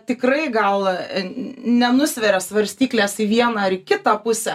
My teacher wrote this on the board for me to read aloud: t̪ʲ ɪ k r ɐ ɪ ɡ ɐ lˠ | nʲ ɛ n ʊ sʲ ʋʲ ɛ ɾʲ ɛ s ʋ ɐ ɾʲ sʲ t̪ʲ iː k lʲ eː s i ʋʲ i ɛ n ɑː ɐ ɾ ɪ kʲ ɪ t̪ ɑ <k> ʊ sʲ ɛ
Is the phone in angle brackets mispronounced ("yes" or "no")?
yes